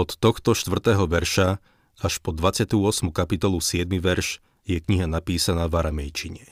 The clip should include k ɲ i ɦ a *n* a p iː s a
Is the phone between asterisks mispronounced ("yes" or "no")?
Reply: no